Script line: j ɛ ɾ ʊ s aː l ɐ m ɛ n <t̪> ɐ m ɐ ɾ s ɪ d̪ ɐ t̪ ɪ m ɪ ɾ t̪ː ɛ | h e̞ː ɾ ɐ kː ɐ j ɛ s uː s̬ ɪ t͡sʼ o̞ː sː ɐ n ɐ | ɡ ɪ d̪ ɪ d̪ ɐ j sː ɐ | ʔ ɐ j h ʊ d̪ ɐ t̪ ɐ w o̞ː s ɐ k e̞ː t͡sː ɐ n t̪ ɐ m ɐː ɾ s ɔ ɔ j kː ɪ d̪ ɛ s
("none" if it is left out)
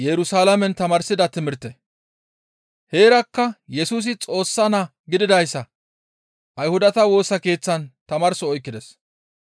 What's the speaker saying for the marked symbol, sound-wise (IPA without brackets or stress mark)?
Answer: t̪